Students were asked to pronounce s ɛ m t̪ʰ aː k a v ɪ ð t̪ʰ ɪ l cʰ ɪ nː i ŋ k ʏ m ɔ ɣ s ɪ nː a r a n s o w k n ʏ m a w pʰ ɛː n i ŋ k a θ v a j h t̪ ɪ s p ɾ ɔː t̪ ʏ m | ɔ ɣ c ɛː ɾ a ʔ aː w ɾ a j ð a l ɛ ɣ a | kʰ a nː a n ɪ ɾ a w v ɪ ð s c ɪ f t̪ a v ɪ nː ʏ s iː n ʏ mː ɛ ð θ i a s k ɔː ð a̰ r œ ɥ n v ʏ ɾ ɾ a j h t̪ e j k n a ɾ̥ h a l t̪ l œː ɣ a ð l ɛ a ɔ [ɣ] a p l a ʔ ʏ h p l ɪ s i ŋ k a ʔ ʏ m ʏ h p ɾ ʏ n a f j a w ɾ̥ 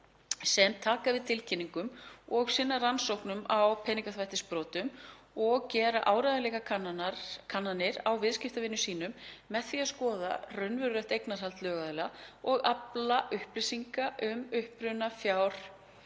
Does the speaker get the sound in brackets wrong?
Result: no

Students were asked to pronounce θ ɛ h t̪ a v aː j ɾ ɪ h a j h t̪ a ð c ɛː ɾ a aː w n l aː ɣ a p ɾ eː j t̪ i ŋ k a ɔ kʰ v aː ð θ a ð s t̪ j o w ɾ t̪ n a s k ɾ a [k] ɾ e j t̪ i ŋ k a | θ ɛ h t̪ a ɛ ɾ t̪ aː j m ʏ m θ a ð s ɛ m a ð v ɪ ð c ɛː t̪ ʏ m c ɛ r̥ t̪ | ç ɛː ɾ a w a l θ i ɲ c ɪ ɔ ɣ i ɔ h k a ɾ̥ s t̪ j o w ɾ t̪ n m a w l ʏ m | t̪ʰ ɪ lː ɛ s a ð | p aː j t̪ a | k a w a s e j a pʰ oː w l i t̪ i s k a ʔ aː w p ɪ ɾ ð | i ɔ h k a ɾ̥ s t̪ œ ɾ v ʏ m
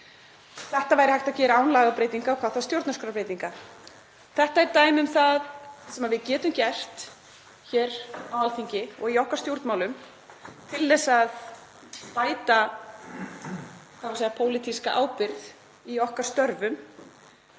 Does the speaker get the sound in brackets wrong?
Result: yes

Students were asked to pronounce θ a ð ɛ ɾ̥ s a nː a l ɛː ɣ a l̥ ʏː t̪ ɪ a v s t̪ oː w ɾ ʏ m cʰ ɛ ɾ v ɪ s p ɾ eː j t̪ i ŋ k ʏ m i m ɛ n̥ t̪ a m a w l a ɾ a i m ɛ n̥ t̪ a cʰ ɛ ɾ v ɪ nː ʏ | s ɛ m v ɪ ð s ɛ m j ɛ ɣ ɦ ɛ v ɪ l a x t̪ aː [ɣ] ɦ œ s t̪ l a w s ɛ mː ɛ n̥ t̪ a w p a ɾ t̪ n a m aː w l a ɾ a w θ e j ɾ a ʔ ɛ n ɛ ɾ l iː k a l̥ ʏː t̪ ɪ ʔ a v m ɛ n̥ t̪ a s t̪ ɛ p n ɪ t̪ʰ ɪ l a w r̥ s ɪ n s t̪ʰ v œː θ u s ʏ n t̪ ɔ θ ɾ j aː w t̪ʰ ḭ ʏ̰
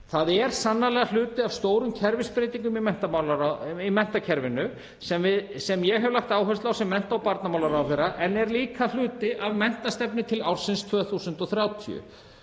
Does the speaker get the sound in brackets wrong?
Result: yes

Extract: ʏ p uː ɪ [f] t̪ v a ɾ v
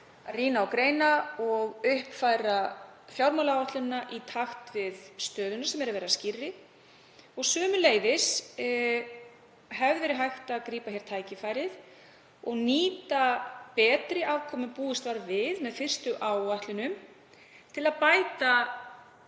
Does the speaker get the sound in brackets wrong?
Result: yes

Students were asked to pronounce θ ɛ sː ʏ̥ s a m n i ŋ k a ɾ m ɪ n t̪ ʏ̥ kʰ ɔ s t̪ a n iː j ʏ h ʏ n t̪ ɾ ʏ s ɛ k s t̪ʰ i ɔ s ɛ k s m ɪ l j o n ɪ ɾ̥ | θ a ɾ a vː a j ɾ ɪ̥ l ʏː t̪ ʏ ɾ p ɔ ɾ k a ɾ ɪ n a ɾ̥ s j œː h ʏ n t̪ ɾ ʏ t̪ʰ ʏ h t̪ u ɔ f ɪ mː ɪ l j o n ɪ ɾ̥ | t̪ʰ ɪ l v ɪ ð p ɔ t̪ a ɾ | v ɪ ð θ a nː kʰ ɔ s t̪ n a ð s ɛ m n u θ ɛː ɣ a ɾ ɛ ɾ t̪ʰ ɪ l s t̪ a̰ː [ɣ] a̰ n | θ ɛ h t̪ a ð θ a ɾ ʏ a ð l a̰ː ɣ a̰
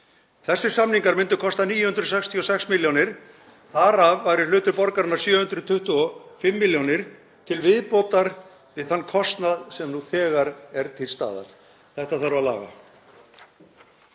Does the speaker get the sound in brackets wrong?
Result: yes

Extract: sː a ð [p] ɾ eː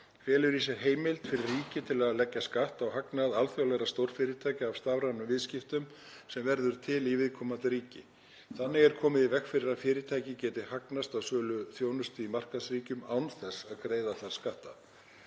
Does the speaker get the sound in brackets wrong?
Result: yes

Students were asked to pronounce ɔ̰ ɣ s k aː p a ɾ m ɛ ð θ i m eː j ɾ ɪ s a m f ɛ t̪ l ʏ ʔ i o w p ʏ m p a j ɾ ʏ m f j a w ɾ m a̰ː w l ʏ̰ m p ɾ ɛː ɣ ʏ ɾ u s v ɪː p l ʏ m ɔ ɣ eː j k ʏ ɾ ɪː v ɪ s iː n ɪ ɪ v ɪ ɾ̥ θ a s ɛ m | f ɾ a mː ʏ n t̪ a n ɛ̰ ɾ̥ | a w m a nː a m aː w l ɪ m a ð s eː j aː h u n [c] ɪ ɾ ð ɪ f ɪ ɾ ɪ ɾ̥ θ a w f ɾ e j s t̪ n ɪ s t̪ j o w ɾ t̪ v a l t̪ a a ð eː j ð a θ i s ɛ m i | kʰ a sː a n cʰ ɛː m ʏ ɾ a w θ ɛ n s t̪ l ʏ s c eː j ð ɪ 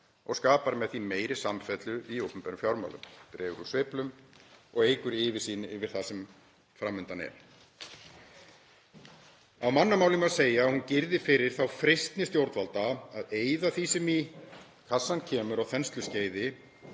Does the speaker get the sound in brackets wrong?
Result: no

